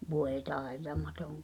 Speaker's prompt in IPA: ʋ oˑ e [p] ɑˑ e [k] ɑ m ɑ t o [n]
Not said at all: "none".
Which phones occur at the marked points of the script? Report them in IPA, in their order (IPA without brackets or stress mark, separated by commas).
t, t, ŋ